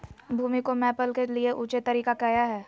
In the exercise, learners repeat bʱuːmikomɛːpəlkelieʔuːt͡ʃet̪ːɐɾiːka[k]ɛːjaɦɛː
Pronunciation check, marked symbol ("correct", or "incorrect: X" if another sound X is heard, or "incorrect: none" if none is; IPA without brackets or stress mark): correct